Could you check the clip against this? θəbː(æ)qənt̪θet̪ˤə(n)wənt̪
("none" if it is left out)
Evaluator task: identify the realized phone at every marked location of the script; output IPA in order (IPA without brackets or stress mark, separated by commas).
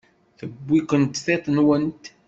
i, n